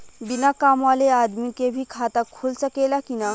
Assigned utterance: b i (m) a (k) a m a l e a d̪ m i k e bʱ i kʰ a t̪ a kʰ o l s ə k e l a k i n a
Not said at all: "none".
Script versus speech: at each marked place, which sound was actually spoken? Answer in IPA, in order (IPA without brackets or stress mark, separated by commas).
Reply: n, k